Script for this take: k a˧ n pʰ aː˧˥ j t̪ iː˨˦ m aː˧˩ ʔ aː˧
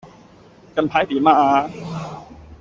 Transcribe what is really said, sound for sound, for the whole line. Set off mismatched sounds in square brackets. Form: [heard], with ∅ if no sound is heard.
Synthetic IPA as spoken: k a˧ n pʰ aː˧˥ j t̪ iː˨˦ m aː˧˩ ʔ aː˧